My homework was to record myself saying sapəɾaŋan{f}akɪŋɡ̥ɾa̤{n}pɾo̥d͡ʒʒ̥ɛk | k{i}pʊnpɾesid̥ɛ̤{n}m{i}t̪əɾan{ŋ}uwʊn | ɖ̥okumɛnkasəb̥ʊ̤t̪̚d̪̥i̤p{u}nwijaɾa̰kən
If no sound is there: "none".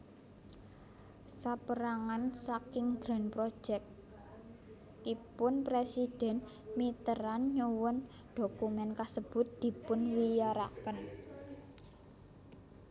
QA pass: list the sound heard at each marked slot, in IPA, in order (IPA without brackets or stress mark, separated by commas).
s, n, i, n, i, ɲ, ʊ